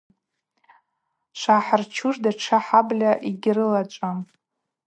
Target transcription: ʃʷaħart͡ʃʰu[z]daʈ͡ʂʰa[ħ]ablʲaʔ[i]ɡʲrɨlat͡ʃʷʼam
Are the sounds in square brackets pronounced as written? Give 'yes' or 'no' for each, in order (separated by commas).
no, yes, yes